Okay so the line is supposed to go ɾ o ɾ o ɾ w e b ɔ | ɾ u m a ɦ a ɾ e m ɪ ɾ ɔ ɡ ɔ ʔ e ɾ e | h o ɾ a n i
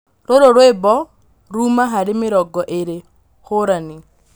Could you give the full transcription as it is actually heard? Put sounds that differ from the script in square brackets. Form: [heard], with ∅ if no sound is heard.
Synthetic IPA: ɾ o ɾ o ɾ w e b ɔ | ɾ u m a ɦ a ɾ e m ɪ ɾ ɔ ɡ ɔ ʔ e ɾ e | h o ɾ a n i

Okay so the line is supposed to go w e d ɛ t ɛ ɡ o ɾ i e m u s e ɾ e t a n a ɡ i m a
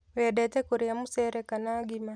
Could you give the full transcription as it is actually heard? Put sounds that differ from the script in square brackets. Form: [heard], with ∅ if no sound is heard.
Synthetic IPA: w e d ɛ t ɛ [k] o ɾ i [a] m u s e ɾ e [k] a n a ɡ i m a

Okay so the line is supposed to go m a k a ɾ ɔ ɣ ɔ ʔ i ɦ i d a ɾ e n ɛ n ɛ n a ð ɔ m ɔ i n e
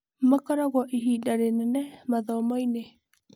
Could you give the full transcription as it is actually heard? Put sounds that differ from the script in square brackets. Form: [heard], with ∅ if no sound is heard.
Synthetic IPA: m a k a ɾ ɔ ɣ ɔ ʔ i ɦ i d a ɾ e n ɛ n ɛ [m] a ð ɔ m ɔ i n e

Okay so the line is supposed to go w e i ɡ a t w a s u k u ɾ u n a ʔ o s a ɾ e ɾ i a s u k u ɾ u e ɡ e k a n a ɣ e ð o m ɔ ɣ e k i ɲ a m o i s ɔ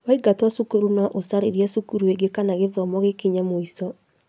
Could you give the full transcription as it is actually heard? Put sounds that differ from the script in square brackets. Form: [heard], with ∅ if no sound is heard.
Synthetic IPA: w [a] i ɡ a t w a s u k u ɾ u n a ʔ o s a ɾ e ɾ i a s u k u ɾ u e ɡ e k a n a ɣ e ð [ɔ] m ɔ ɣ e k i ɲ a m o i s ɔ

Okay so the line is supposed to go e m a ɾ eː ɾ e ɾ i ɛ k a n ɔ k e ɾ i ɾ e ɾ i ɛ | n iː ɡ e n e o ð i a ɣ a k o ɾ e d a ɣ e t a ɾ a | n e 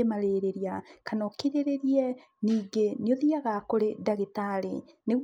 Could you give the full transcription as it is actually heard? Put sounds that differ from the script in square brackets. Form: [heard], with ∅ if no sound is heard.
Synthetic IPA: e m a ɾ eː ɾ e ɾ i [a] k a n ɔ k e ɾ [e] ɾ e ɾ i ɛ | n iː ɡ e n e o ð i a ɣ a k o ɾ e d a ɣ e t a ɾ [e] | n e

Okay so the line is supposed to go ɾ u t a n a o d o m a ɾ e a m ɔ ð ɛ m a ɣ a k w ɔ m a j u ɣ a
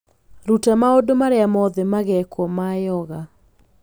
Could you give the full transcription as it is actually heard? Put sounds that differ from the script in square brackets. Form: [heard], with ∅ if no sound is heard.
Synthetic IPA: ɾ u t a [m] a o d o m a ɾ e a m ɔ ð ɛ m a ɣ [ɛ] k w ɔ m a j [ɔ] ɣ a

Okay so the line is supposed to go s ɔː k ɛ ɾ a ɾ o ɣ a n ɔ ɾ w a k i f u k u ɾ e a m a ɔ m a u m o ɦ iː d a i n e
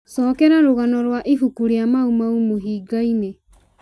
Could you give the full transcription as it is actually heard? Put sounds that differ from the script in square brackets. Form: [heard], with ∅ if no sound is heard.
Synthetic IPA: s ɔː k ɛ ɾ a ɾ o ɣ a n ɔ ɾ w a [ʔ] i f u k u ɾ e a m a [u] m a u m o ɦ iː [ɡ] a i n e

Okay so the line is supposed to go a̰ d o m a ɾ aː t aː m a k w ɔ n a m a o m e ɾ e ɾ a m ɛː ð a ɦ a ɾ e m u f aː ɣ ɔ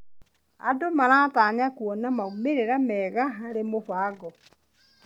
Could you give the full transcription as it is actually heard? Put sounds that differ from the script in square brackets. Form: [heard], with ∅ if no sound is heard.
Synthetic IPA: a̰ d o m a ɾ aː t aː [ɲ] a k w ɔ n a m a [u] m e ɾ e ɾ a m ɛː [ɣ] a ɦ a ɾ e m [o] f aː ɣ ɔ

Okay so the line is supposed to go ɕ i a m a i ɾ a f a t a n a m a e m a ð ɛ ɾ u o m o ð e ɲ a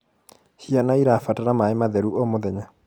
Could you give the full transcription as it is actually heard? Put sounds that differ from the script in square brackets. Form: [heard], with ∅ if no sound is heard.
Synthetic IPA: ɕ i a [n] a i ɾ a f a t a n a m a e m a ð ɛ ɾ u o m o ð [ɛ] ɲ a

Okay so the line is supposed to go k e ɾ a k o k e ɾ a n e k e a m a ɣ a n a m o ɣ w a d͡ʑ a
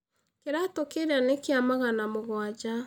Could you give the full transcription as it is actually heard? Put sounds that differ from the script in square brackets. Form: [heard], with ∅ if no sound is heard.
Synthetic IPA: k e ɾ a [t] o k e ɾ a n e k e a m a ɣ a n a m o ɣ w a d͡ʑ a

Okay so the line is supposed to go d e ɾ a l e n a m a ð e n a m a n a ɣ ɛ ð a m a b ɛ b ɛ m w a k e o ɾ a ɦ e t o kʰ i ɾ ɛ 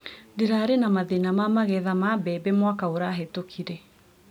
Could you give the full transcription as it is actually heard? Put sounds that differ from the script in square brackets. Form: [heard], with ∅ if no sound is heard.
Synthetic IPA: d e ɾ a [ɾ] e n a m a ð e n a m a [m] a ɣ ɛ ð a m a b ɛ b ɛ m w a k [a] o ɾ a ɦ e t o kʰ i ɾ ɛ

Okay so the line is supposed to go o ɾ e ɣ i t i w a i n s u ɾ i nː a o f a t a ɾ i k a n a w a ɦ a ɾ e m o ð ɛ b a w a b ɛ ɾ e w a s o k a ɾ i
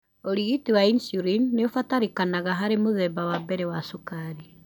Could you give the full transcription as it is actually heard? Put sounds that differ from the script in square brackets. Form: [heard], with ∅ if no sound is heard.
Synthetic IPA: o ɾ [i] ɣ i t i w a i n s u ɾ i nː [e] o f a t a ɾ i k a n a [ɣ] a ɦ a ɾ e m o ð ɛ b a w a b ɛ ɾ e w a s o k a ɾ i

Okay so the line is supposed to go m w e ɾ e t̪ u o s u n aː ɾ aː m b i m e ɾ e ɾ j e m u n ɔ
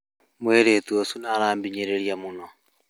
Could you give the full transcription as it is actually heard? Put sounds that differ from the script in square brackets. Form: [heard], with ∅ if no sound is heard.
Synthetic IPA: m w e ɾ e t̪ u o s u n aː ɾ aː m b i [ɲ] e ɾ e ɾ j [a] m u n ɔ

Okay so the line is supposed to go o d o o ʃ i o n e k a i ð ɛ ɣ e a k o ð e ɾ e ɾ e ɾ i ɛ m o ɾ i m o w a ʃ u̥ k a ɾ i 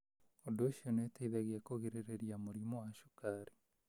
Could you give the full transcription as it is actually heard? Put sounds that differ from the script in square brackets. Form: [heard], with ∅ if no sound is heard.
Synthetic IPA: o d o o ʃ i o n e [t] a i ð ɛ ɣ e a k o [ɣ] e ɾ e ɾ e ɾ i [a] m o ɾ i m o w a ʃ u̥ k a ɾ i

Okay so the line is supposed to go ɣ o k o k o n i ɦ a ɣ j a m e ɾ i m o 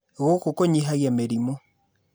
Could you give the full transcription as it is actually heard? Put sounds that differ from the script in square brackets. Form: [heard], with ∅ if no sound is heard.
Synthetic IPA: ɣ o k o k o [ɲ] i ɦ a ɣ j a m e ɾ i m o

